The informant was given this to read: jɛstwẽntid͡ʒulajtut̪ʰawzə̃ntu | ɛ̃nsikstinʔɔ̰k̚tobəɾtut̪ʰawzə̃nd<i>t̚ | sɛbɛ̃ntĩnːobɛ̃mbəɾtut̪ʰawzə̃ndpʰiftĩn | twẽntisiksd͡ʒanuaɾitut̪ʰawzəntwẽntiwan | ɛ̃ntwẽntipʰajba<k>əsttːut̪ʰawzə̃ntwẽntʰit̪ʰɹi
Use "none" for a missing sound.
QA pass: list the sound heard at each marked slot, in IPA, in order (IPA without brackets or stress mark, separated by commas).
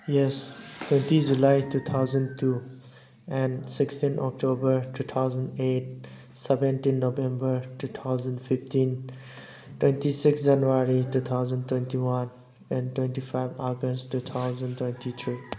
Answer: e, ɡ